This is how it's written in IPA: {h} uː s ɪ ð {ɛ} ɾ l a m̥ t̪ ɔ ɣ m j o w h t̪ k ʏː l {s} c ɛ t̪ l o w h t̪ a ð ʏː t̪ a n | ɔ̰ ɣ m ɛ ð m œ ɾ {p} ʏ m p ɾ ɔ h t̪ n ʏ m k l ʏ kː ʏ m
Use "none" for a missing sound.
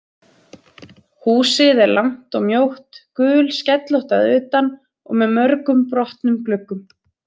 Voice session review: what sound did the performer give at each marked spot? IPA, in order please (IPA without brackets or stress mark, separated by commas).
h, ɛ, s, k